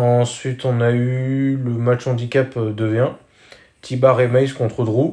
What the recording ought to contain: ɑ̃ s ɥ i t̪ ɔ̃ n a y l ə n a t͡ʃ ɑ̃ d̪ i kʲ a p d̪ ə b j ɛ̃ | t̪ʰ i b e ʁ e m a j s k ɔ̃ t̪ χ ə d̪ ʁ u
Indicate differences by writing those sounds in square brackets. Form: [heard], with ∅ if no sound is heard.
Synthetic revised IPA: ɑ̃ s ɥ i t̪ ɔ̃ n a y l ə [m] a t͡ʃ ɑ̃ d̪ i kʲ a p d̪ ə [v] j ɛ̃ | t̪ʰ i b [a] ʁ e m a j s k ɔ̃ t̪ χ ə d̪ ʁ u